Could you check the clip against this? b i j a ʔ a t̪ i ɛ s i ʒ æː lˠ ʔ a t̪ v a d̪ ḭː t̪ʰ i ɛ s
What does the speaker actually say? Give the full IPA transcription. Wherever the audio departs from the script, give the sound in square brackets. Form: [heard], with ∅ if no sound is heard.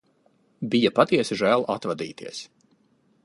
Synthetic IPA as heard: b i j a [p] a t̪ i ɛ s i ʒ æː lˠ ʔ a t̪ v a d̪ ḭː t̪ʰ i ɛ s